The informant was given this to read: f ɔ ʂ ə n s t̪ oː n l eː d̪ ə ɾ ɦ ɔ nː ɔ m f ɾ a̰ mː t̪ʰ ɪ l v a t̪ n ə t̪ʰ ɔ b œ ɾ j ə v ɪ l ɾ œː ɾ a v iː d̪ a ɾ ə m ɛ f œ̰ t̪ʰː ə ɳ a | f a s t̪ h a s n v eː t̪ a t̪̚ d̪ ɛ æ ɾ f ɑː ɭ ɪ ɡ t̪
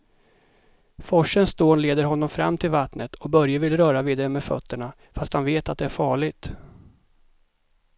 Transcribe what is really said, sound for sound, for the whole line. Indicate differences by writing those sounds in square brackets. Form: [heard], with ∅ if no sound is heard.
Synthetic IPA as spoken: f ɔ ʂ ə n s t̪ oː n l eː d̪ ə ɾ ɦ ɔ nː ɔ m f ɾ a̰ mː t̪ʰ ɪ l v a t̪ n ə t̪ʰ ɔ b œ ɾ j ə v ɪ l ɾ œː ɾ a v iː d̪ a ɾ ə m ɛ f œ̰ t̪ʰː ə ɳ a | f a s t̪ h a [∅] n v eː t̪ a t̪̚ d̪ ɛ æ ɾ f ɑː ɭ ɪ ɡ t̪

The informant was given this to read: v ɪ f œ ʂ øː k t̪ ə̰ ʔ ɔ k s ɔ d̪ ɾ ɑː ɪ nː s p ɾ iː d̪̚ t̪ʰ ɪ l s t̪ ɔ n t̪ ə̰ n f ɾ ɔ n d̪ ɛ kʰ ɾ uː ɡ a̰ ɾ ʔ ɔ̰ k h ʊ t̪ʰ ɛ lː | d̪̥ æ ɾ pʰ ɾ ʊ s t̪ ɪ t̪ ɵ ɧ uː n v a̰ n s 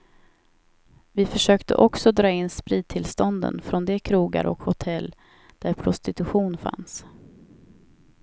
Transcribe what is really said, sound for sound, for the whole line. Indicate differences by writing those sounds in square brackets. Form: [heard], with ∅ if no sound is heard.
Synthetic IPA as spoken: v ɪ f œ ʂ øː k t̪ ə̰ ʔ ɔ k s ɔ d̪ ɾ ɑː ɪ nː s p ɾ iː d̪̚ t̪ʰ ɪ l s t̪ ɔ n [d̪] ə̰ n f ɾ ɔ n d̪ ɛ kʰ ɾ uː ɡ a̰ ɾ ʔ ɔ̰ k h ʊ t̪ʰ ɛ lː | d̪̥ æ ɾ pʰ ɾ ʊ s t̪ ɪ t̪ ɵ ɧ uː n [f] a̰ n s

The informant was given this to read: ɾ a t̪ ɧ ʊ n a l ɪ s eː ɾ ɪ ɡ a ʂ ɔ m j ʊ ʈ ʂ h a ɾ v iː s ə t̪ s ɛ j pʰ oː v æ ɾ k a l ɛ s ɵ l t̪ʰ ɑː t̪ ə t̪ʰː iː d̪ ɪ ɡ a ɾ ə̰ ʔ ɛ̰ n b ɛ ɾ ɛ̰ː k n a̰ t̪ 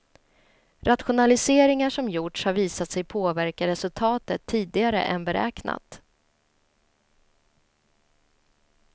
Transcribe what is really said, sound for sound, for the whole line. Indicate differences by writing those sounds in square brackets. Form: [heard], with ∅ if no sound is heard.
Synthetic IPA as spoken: ɾ a t̪ ɧ ʊ n a l ɪ s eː ɾ ɪ [ŋ] a ʂ ɔ m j ʊ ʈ ʂ h a ɾ v iː s [a] t̪ s ɛ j pʰ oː v æ ɾ k a [ɾ] ɛ s ɵ l t̪ʰ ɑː t̪ ə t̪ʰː iː d̪ ɪ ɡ a ɾ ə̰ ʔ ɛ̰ n b ɛ ɾ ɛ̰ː k n a̰ t̪

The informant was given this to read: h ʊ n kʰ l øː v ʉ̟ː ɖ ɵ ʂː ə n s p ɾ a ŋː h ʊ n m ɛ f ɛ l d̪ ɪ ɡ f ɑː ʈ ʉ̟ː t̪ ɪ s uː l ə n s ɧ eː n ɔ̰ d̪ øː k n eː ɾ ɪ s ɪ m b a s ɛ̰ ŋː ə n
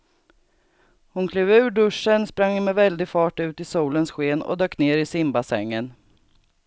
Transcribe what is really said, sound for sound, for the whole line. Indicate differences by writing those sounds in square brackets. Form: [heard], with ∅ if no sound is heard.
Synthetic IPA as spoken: h ʊ n kʰ l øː v ʉ̟ː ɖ ɵ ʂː ə n s p ɾ a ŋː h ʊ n m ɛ [v] ɛ l d̪ ɪ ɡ f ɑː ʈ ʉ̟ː t̪ ɪ s uː l ə n s ɧ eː n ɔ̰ d̪ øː k n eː ɾ ɪ s ɪ m b a s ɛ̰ ŋː ə n

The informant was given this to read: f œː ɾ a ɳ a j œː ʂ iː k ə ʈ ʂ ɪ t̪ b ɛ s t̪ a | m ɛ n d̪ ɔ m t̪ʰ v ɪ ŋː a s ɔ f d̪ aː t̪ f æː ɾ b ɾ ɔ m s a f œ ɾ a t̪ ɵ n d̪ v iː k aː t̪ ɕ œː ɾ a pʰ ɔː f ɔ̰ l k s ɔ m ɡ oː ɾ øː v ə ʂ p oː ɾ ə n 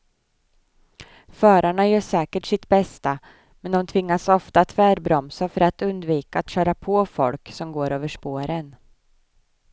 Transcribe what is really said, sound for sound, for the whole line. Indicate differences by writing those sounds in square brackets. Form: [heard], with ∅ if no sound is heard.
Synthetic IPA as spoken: f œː ɾ a ɳ a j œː ʂ [ɛː] k ə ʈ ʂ ɪ t̪ b ɛ s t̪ a | m ɛ n d̪ ɔ m t̪ʰ v ɪ ŋː a s ɔ f [t̪] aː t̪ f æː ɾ b ɾ ɔ m s a f œ ɾ a t̪ ɵ n d̪ v iː k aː t̪ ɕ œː ɾ a pʰ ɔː f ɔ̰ l k s ɔ m ɡ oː ɾ øː v ə ʂ p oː ɾ ə n

